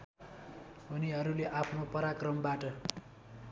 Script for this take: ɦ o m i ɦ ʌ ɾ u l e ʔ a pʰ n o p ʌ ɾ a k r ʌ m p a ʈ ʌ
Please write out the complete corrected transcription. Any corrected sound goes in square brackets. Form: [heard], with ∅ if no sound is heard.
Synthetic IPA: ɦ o [n] i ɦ ʌ ɾ u l e ʔ a pʰ n o p ʌ ɾ a k r ʌ m [b] a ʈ ʌ